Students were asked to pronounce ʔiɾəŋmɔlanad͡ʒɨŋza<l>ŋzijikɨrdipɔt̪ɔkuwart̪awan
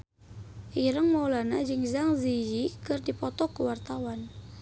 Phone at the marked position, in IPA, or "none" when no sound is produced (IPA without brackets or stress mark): none